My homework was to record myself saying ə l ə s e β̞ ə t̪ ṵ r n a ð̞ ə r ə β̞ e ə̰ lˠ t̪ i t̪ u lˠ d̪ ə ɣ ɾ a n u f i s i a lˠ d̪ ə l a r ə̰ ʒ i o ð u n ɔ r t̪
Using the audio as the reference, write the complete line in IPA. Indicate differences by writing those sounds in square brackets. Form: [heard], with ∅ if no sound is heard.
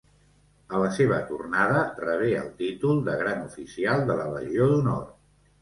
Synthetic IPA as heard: ə l ə s e β̞ ə t̪ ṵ r n a ð̞ ə r ə β̞ e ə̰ lˠ t̪ i t̪ u lˠ d̪ ə ɣ ɾ a n u f i s i a lˠ d̪ ə l [ə] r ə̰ ʒ i o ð u n ɔ r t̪